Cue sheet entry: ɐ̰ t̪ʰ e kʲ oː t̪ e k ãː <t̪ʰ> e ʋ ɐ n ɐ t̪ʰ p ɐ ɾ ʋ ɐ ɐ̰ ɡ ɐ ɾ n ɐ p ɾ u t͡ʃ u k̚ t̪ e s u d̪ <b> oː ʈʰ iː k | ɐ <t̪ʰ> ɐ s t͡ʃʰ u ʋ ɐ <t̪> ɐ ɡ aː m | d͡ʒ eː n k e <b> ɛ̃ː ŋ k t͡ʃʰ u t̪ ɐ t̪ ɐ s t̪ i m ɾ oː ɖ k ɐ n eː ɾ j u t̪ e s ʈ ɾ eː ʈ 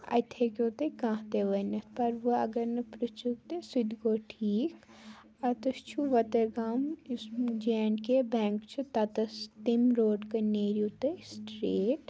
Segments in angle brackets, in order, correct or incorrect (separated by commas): incorrect, incorrect, incorrect, correct, correct